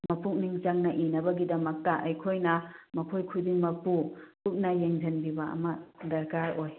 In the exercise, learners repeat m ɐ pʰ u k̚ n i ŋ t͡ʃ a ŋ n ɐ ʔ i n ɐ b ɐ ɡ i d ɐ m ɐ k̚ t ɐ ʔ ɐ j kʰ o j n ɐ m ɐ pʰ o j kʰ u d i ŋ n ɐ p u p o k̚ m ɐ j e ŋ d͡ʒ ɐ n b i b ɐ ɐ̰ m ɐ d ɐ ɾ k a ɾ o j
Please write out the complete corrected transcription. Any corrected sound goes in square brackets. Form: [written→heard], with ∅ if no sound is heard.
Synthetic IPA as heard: m ɐ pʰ u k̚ n i ŋ t͡ʃ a ŋ n ɐ ʔ i n ɐ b ɐ ɡ i d ɐ m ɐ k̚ t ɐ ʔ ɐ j kʰ o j n ɐ m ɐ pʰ o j kʰ u d i ŋ [n→m] ɐ p u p [o→u] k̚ [m→n] ɐ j e ŋ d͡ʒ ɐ n b i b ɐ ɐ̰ m ɐ d ɐ ɾ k a ɾ o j